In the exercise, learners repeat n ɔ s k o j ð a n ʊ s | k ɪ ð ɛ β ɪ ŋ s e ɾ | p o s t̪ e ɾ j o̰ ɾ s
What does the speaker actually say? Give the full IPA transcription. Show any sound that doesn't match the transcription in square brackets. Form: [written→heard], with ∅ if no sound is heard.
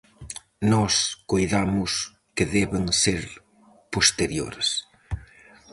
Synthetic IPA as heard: n ɔ s k o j ð a [n→m] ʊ s | k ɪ ð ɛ β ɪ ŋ s e ɾ | p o s t̪ e ɾ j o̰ ɾ s